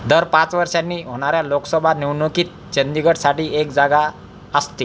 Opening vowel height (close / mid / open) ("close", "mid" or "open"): mid